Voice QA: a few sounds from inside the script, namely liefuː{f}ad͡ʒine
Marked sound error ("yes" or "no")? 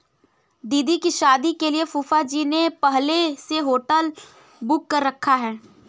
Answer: no